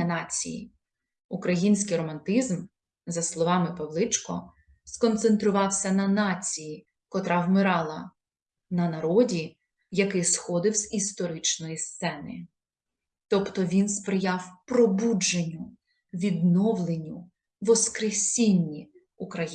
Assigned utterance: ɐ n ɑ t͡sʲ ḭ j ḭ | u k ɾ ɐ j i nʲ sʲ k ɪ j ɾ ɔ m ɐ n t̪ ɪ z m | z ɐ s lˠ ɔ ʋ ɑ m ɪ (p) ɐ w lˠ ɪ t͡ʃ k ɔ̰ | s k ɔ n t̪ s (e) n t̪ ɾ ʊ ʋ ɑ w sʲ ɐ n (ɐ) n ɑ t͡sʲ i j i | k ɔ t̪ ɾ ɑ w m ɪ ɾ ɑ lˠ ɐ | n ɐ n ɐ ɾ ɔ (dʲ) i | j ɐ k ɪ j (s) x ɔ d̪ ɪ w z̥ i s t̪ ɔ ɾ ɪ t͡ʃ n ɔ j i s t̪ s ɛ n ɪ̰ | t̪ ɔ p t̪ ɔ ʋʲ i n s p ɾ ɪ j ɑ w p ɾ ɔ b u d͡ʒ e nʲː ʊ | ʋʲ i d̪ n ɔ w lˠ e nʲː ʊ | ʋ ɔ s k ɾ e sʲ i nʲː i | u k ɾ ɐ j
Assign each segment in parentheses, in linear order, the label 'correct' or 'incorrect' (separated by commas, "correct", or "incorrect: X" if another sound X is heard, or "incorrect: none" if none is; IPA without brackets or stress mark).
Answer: correct, correct, correct, correct, correct